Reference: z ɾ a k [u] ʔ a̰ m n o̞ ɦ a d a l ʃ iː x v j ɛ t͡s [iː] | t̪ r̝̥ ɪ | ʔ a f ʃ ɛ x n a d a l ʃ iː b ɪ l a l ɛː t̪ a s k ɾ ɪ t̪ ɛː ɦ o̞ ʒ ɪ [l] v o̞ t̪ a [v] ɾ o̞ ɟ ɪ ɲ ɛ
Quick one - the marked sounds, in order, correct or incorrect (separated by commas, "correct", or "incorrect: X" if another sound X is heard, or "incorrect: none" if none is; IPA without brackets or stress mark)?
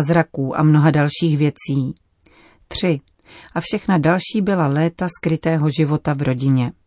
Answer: incorrect: uː, correct, incorrect: none, correct